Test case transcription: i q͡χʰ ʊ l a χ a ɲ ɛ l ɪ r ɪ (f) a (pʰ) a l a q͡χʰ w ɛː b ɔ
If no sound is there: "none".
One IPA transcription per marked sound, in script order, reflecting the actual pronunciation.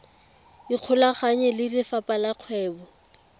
f, p

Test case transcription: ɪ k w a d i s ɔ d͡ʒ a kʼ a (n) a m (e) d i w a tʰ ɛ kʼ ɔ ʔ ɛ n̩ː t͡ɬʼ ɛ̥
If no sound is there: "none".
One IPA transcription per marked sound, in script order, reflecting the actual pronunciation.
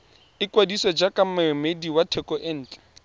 m, e

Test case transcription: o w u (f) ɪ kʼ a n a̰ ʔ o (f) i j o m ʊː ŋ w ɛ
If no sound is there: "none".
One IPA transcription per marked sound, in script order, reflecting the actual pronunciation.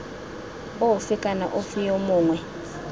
f, f

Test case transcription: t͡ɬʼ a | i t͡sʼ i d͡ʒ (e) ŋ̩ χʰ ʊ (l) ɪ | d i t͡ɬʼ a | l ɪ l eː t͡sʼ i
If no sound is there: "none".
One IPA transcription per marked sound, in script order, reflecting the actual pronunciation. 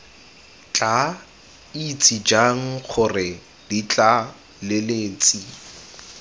a, r

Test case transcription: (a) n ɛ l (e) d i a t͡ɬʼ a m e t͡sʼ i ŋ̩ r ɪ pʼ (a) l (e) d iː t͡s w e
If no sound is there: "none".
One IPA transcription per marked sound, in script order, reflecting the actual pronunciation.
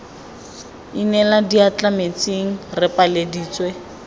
i, a, a, e

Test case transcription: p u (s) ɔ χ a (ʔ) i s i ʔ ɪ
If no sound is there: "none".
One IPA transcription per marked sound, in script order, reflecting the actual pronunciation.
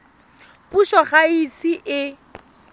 ʃ, none

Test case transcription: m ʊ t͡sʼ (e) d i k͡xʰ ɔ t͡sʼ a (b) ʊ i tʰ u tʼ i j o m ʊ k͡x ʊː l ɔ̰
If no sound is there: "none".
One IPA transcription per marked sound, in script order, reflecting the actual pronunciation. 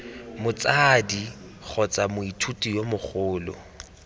a, m

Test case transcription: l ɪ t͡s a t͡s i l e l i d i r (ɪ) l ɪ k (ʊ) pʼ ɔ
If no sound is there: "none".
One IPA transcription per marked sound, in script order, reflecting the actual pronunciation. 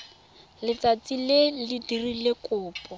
i, ʊː

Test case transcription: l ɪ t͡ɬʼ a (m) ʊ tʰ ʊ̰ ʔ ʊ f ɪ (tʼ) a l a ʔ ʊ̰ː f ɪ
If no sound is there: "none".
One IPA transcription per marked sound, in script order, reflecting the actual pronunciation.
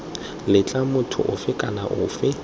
m, kʼ

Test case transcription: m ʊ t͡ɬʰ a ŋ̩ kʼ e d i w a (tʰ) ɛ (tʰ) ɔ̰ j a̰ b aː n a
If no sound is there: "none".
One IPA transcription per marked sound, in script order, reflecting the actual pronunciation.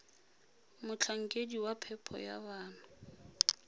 pʰ, pʰ

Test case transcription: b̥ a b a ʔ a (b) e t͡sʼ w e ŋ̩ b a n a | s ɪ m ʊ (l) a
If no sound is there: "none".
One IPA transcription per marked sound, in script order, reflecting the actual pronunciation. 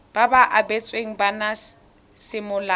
b, l

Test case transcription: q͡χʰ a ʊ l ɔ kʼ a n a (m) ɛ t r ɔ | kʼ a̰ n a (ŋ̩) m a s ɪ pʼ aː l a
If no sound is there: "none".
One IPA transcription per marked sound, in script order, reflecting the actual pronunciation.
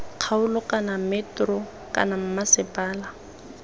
m, m̩

